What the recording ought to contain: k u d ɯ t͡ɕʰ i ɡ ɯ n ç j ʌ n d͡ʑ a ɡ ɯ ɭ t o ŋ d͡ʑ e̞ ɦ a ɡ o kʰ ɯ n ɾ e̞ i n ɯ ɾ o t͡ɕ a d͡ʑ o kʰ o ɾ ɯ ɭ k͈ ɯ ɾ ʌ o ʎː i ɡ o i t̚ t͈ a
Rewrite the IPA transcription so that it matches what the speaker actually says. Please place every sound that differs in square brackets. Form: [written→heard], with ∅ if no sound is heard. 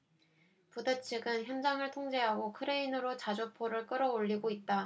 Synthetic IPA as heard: [k→p] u d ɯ t͡ɕʰ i ɡ ɯ n ç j ʌ n d͡ʑ a [ɡ→ŋ] ɯ ɭ [t→tʰ] o ŋ d͡ʑ e̞ ɦ a ɡ o kʰ ɯ [n→∅] ɾ e̞ i n ɯ ɾ o t͡ɕ a d͡ʑ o [kʰ→pʰ] o ɾ ɯ ɭ k͈ ɯ ɾ ʌ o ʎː i ɡ o i t̚ t͈ a

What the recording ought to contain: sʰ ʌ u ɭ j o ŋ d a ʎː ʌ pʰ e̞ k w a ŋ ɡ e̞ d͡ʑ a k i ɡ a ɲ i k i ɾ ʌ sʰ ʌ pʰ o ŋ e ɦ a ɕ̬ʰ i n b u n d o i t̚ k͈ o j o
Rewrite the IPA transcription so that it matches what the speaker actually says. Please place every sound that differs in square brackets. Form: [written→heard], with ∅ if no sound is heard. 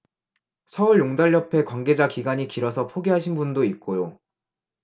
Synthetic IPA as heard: sʰ ʌ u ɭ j o ŋ d a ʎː ʌ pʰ e̞ k w a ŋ ɡ e̞ d͡ʑ a k i ɡ a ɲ i k i ɾ ʌ sʰ ʌ pʰ o [ŋ→ɡ] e ɦ a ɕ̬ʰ i n b u n d o i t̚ k͈ o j o

